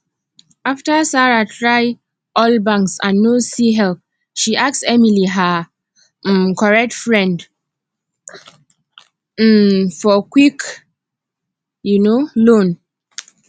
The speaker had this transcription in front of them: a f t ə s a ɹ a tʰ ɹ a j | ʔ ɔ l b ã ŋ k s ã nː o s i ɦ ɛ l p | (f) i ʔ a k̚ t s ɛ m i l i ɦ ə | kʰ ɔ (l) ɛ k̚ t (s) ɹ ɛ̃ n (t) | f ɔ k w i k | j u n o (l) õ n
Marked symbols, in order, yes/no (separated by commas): no, no, no, no, yes